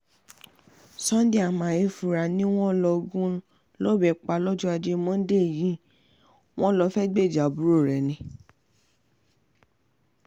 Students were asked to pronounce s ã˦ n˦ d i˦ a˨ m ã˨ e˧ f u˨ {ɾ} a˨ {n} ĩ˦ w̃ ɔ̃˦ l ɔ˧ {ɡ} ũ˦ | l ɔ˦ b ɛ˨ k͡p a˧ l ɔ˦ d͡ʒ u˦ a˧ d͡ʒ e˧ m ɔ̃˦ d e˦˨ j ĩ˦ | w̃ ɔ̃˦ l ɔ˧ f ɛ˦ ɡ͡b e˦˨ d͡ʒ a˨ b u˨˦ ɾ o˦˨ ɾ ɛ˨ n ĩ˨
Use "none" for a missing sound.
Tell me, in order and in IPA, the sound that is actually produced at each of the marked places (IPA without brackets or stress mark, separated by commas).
ɾ, n, ɡ